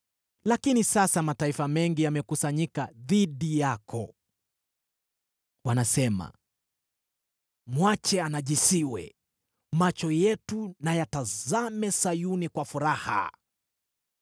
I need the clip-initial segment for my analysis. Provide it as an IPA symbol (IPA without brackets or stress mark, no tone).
l